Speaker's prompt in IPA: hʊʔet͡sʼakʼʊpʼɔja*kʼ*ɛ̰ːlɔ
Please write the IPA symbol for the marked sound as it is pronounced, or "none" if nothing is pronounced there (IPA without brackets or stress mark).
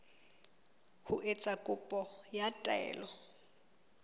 tʼ